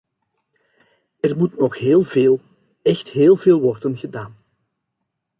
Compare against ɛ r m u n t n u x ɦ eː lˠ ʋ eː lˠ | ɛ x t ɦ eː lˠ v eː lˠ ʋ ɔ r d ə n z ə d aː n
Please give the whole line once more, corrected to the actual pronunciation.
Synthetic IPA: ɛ r m u t n ɔ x ɦ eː lˠ v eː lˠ | ɛ x t ɦ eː lˠ v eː lˠ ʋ ɔ r d ə n ɣ ə d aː n